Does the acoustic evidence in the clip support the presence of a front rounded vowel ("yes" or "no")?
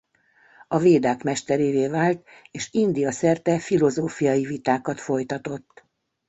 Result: no